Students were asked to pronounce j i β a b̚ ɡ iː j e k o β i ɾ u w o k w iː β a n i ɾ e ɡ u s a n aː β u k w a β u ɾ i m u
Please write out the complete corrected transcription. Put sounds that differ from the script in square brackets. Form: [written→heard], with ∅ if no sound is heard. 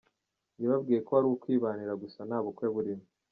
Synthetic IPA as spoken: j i β a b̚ ɡ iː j e k o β [i→a] ɾ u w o k w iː β a n i ɾ [e→a] ɡ u s a n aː β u k w [a→e] β u ɾ i m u